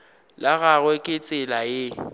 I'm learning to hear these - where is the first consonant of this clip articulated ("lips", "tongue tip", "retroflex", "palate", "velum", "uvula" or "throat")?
tongue tip